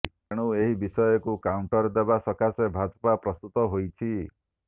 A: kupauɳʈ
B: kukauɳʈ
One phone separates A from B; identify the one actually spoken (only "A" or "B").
B